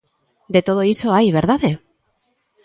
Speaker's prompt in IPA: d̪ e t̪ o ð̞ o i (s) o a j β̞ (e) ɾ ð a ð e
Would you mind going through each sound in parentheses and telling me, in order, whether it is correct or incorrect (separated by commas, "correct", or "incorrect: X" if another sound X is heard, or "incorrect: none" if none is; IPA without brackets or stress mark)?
correct, correct